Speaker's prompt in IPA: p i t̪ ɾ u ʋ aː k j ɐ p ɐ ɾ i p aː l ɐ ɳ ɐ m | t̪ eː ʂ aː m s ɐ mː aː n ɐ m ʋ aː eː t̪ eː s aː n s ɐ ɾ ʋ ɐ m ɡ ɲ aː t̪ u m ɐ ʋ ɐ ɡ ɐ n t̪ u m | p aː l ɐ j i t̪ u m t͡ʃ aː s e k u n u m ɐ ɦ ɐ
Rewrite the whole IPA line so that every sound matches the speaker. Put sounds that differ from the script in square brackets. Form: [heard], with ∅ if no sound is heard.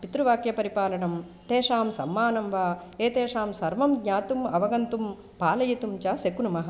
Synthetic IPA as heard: p i t̪ ɾ u ʋ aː k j ɐ p ɐ ɾ i p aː l ɐ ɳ ɐ m | t̪ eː ʂ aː m s ɐ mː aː n ɐ m ʋ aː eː t̪ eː [ʂ] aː [m] s ɐ ɾ ʋ ɐ m ɡ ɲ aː t̪ u m ɐ ʋ ɐ ɡ ɐ n t̪ u m | p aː l ɐ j i t̪ u m t͡ʃ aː s e k u n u m ɐ ɦ ɐ